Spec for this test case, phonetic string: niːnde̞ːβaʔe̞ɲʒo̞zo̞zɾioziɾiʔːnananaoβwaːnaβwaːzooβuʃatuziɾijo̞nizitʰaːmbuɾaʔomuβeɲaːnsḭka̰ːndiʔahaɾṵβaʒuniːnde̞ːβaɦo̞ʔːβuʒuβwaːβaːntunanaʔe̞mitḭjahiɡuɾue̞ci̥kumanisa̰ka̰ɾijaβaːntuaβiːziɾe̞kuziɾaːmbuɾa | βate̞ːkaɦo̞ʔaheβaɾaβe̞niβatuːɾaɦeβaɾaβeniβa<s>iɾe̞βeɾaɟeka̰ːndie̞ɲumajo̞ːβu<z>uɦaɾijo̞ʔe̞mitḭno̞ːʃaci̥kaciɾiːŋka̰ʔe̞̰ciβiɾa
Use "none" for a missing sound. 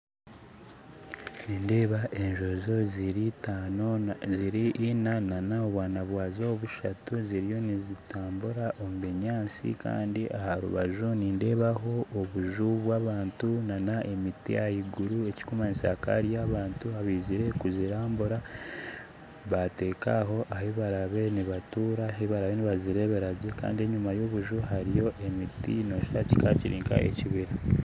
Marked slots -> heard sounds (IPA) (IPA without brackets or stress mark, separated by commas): z, ʒ